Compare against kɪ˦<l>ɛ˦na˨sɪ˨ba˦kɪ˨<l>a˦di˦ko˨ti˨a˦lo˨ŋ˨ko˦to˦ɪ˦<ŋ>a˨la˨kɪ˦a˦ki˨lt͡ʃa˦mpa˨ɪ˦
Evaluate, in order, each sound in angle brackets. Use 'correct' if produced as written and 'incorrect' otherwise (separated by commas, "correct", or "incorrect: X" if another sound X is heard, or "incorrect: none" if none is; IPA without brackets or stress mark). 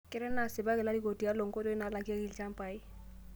incorrect: ɾ, correct, incorrect: n